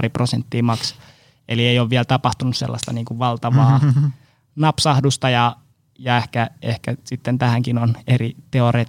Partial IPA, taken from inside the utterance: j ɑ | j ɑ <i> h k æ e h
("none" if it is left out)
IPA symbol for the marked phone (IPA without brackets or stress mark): e